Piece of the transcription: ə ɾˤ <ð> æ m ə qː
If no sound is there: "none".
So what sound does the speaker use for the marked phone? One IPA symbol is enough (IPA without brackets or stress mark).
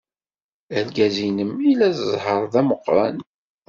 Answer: ð